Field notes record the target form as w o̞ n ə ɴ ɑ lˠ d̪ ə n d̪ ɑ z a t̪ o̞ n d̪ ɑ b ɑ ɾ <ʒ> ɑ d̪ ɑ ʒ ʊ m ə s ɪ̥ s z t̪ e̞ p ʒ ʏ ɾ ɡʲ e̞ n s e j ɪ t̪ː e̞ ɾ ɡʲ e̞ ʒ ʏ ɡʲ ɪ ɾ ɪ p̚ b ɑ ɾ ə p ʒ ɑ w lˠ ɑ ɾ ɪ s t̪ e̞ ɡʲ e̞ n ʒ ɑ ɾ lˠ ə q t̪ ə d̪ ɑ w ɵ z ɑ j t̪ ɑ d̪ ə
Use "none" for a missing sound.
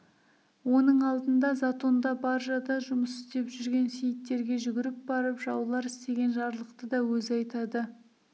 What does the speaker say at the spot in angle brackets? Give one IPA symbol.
ʒ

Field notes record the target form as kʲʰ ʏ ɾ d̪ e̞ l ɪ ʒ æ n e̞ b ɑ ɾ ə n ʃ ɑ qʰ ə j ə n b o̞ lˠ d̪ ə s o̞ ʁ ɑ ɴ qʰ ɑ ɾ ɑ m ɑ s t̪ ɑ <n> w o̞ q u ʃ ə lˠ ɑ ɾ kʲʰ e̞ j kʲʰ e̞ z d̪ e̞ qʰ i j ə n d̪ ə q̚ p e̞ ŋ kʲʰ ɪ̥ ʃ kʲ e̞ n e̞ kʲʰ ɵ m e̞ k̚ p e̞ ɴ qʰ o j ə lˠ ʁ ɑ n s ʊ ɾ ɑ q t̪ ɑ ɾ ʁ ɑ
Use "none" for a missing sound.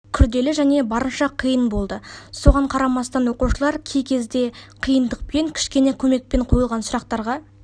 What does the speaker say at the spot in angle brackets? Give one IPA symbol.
n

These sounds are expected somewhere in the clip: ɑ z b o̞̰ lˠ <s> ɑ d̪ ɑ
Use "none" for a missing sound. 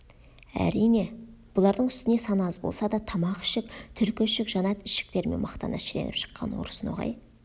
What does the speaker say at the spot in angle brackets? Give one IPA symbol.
s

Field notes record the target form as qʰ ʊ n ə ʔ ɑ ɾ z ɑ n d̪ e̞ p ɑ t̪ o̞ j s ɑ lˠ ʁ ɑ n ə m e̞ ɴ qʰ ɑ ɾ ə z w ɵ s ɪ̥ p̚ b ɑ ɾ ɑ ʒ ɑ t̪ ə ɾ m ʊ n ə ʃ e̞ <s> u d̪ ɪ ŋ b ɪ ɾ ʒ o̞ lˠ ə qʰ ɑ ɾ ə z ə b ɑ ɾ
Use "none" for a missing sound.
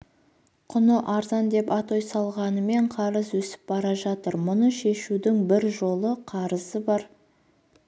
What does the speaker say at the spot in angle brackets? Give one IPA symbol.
ʃ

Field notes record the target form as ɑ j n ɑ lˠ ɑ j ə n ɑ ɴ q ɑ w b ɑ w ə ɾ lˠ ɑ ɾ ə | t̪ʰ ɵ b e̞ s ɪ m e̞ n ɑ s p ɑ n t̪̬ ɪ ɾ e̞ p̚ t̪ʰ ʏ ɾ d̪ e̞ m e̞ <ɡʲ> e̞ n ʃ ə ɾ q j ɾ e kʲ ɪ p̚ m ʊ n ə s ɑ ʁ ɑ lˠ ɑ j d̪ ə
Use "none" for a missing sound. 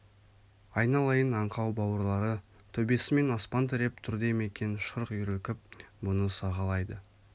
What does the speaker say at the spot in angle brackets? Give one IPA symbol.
kʲ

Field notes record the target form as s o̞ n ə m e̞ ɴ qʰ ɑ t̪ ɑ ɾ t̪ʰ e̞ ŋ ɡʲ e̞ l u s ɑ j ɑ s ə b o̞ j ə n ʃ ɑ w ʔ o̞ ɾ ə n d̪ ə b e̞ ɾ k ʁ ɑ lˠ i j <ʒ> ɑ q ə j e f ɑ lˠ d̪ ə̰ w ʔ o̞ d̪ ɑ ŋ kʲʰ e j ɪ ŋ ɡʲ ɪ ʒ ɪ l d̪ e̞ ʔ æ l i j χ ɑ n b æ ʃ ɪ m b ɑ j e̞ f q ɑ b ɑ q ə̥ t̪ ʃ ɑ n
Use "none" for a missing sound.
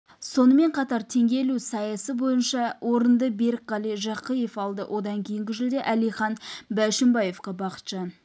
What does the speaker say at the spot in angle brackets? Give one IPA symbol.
ʒ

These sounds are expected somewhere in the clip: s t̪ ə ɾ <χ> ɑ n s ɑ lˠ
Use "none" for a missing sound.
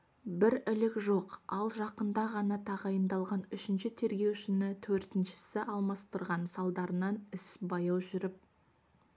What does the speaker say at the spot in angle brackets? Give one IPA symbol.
ʁ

